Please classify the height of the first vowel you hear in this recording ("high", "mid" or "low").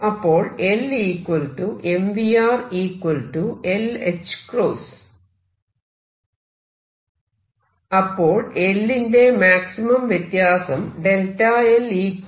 low